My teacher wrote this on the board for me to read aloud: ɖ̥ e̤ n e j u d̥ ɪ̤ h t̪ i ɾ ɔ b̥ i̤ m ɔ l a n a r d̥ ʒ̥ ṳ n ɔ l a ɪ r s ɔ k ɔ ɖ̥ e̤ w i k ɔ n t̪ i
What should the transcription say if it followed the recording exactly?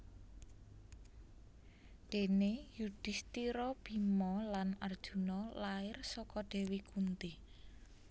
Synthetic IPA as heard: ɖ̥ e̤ n e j u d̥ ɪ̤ s t̪ i ɾ ɔ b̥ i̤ m ɔ l a n a r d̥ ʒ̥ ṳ n ɔ l a ɪ r s ɔ k ɔ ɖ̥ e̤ w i k u n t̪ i